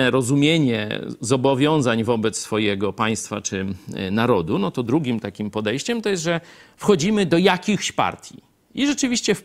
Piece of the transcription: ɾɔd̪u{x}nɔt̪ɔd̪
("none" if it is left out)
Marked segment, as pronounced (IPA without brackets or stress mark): none